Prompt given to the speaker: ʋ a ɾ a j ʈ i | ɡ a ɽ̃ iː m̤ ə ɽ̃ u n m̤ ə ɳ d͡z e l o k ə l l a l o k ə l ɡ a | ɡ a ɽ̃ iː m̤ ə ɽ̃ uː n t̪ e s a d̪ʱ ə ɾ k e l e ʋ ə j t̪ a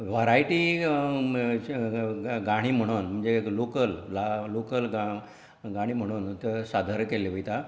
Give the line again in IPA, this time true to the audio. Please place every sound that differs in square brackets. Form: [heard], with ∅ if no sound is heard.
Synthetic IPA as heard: ʋ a ɾ a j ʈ i | ɡ a ɽ̃ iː m̤ ə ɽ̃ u n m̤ ə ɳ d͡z e l o k ə l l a l o k ə l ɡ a | ɡ a ɽ̃ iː m̤ ə ɽ̃ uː n t̪ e s a d̪ʱ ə ɾ k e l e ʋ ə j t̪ a